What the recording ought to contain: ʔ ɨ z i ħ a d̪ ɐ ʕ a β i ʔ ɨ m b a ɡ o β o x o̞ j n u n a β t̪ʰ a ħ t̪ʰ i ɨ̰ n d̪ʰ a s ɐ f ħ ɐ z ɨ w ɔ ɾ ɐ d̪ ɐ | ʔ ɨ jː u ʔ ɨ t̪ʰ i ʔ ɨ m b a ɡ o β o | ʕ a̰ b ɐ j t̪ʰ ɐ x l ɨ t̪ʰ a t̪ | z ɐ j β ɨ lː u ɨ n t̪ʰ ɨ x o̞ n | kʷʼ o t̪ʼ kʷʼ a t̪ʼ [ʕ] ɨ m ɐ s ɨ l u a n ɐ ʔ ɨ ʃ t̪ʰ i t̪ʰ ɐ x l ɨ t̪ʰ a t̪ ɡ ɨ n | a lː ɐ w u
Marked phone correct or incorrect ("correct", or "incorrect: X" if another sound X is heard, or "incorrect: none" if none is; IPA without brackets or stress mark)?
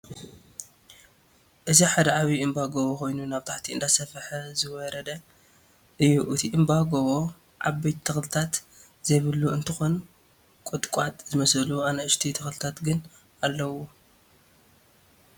incorrect: z